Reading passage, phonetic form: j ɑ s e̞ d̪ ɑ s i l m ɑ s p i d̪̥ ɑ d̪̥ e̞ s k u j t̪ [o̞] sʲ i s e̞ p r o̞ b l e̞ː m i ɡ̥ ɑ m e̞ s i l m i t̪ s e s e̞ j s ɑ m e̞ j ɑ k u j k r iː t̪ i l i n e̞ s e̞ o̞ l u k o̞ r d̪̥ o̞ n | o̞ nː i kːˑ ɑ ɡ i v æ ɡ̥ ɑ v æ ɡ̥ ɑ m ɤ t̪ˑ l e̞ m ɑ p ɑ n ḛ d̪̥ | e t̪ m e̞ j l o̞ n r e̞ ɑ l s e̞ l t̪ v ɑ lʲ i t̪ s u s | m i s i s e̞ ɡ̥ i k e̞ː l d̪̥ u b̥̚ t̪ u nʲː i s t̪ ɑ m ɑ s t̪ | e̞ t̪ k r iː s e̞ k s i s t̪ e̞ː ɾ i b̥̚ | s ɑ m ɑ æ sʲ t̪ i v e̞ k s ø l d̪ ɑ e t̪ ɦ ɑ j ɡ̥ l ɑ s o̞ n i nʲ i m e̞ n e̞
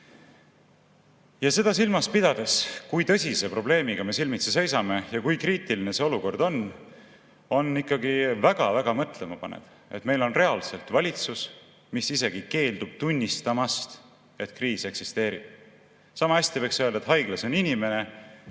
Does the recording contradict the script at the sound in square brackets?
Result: yes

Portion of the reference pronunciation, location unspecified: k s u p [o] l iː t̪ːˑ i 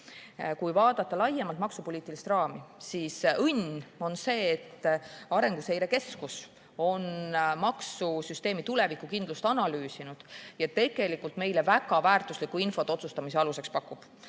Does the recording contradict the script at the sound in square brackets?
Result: no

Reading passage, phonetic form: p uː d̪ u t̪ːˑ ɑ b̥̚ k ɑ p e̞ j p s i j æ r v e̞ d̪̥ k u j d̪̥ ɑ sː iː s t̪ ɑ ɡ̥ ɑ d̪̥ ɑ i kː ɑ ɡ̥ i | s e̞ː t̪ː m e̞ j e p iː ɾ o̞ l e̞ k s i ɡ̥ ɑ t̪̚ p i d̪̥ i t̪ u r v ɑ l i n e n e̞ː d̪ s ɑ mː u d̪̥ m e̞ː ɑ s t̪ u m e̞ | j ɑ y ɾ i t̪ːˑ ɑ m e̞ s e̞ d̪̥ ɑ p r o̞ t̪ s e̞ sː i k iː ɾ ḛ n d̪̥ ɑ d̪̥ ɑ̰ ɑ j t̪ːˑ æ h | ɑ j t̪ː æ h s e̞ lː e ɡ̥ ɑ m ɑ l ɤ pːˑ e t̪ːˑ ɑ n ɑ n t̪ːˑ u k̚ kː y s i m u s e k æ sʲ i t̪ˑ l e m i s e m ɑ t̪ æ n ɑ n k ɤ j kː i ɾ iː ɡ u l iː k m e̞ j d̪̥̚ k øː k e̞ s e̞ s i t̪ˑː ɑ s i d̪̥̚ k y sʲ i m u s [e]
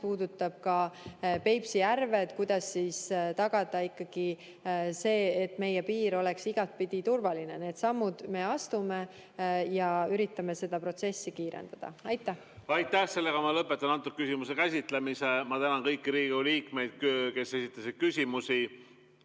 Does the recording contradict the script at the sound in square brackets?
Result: yes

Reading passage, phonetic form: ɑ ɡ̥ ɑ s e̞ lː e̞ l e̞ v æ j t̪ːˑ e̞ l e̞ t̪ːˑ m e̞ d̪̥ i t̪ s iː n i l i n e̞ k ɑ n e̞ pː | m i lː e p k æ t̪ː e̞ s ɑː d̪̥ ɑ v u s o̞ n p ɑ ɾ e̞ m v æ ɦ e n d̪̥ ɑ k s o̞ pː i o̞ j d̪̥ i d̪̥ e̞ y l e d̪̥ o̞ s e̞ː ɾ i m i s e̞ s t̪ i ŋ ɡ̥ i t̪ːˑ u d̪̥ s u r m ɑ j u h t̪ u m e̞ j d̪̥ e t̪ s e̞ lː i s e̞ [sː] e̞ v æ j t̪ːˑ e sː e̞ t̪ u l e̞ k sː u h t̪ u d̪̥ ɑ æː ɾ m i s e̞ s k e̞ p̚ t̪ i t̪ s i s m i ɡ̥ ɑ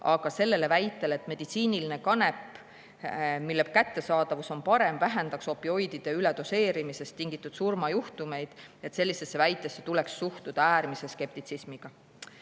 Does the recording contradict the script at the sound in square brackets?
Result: no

